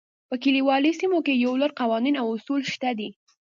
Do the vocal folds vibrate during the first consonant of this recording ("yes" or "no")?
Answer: no